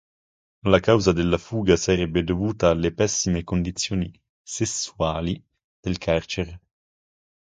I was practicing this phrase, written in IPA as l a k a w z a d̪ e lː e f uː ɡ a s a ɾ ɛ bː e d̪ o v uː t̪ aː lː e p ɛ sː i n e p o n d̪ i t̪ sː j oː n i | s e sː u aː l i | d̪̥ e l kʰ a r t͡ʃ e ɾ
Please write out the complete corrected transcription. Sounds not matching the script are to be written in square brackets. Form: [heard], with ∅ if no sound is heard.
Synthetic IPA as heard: l a k a w z a d̪ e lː [a] f uː ɡ a s a ɾ ɛ bː e d̪ o v uː t̪ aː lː e p ɛ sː i [m] e [k] o n d̪ i t̪ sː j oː n i | s e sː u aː l i | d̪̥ e l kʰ a r t͡ʃ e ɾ